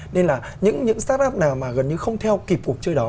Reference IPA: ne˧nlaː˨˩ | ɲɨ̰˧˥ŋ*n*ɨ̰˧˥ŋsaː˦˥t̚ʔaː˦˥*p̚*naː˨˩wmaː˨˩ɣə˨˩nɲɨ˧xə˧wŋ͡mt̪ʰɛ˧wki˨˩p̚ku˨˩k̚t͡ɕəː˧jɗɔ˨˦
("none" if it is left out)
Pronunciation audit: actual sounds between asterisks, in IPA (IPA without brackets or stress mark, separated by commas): ɲ, p̚